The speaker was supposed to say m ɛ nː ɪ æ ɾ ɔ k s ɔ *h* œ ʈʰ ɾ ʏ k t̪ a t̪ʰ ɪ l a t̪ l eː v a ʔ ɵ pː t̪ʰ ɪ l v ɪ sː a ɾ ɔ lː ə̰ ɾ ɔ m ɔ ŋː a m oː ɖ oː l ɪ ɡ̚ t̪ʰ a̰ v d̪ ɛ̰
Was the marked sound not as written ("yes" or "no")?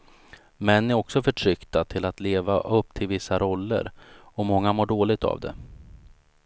yes